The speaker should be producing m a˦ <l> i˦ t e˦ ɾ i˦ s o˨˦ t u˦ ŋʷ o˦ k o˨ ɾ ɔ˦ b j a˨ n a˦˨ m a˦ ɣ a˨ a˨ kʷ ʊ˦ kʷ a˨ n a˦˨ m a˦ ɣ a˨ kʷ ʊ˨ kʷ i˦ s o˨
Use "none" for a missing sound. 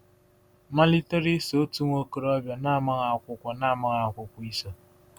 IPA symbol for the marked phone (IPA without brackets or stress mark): l